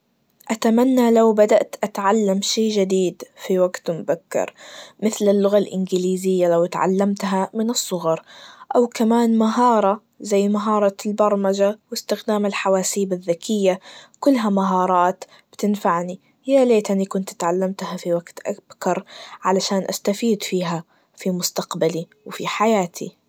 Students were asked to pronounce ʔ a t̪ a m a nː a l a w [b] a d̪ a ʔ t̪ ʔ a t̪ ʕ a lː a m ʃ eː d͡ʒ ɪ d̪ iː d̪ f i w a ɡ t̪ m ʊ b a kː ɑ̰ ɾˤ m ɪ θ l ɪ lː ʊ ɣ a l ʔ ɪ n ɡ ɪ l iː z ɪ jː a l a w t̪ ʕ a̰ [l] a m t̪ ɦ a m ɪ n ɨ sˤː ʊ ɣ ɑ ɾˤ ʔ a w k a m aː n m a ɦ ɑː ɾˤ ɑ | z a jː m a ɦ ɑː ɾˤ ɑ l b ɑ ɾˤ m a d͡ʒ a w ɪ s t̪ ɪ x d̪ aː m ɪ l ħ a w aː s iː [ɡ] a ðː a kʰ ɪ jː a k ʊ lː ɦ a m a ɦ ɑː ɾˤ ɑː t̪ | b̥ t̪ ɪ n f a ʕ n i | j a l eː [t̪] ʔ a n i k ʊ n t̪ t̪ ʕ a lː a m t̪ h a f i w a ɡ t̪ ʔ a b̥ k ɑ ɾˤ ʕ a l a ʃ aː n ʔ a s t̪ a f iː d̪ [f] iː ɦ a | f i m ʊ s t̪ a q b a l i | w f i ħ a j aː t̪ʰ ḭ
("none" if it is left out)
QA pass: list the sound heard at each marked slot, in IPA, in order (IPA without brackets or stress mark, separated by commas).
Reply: b, lː, b, t̪, f